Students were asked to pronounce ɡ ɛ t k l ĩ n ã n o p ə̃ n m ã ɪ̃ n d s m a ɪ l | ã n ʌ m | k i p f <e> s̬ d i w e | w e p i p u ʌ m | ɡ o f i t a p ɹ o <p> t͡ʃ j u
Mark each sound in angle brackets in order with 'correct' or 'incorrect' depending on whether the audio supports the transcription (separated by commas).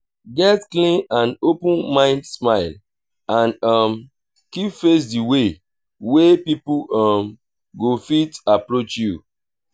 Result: correct, incorrect